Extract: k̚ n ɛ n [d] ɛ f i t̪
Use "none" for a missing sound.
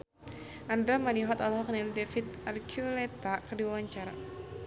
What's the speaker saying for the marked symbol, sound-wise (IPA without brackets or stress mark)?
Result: d